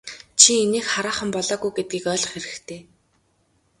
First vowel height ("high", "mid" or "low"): high